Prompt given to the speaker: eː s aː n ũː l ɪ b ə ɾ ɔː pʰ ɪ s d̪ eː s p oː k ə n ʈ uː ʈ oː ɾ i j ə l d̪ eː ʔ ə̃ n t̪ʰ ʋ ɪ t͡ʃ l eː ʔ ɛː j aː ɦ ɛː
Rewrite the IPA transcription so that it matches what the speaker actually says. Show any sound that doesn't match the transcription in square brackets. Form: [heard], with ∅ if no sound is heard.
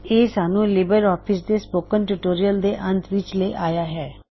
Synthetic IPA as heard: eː s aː n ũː l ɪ b ə ɾ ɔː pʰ ɪ s d̪ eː s p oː k ə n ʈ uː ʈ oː ɾ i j ə l d̪ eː ʔ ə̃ n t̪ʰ ʋ ɪ t͡ʃ l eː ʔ [aː] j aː ɦ ɛː